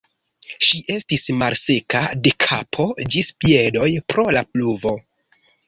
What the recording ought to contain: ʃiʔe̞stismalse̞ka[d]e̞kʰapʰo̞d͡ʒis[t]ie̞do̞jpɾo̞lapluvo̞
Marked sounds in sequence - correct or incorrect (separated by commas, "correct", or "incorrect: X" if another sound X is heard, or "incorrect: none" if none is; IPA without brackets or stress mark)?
correct, incorrect: p